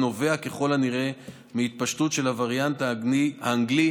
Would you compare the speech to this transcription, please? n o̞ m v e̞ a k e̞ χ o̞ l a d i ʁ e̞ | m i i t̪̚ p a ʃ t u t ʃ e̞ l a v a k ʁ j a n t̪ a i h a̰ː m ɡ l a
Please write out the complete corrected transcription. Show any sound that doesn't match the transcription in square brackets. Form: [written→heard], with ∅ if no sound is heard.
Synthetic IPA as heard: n o̞ [m→∅] v e̞ a k e̞ χ o̞ l a [d→n] i ʁ e̞ | m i i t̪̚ p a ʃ t u t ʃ e̞ l a v a [k→∅] ʁ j a n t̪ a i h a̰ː [m→ŋ] ɡ l [a→i]